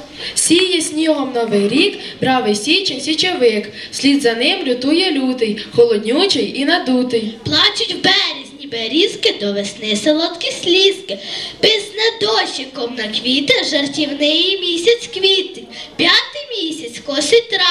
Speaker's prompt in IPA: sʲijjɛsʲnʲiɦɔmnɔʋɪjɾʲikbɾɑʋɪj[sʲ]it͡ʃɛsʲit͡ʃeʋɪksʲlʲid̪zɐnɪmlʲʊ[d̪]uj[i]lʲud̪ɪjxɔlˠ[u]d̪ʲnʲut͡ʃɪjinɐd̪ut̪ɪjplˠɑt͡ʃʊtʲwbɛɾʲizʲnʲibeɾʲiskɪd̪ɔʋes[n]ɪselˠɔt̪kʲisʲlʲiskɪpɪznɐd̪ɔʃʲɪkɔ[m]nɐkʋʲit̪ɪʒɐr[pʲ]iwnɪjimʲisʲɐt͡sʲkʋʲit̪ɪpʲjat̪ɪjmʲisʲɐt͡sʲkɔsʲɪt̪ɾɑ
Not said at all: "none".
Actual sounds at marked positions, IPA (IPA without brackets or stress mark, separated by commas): sʲ, t̪, ɛ, ɔ, n, m, tʲ